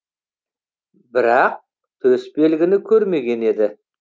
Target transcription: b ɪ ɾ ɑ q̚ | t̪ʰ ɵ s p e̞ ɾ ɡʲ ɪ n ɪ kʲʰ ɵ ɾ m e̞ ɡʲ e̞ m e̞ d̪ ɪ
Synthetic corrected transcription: b ɪ ɾ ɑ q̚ | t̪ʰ ɵ s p e̞ l ɡʲ ɪ n ɪ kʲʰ ɵ ɾ m e̞ ɡʲ e̞ n e̞ d̪ ɪ